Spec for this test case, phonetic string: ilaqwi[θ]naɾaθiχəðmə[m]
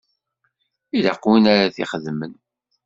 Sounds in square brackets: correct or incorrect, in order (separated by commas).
incorrect, incorrect